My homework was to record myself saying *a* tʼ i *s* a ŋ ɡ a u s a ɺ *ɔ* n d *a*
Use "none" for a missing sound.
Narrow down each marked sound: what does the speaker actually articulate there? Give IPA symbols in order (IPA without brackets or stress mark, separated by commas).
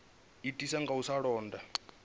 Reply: i, s, ɔː, a